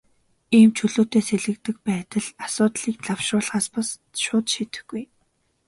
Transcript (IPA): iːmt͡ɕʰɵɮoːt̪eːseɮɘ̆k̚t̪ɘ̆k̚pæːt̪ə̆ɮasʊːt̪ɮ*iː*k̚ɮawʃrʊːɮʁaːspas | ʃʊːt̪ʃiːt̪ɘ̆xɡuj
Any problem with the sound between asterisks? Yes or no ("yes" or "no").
no